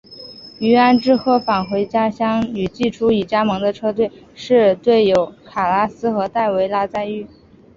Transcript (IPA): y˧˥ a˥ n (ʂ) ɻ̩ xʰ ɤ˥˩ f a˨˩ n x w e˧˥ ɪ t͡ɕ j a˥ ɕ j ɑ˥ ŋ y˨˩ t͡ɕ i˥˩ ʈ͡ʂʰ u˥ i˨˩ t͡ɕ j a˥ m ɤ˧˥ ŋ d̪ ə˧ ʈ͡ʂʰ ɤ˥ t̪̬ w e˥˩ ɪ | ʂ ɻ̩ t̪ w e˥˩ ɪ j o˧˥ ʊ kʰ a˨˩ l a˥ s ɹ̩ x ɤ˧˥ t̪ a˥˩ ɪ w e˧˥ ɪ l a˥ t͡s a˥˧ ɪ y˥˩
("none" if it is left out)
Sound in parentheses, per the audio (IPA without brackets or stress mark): ʈ͡ʂ